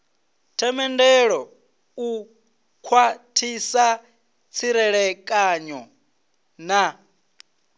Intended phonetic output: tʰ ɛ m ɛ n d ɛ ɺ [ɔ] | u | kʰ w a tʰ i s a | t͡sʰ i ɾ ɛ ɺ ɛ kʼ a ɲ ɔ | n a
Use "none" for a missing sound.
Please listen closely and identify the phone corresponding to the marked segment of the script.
ɔ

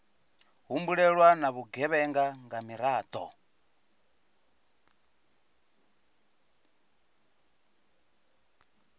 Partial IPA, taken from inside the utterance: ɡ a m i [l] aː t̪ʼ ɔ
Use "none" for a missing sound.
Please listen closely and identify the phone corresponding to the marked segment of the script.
ɾ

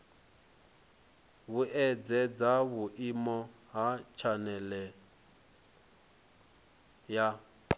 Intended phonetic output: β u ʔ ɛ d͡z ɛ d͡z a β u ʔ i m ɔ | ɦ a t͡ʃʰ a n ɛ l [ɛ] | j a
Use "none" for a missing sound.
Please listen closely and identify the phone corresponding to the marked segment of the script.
ɛ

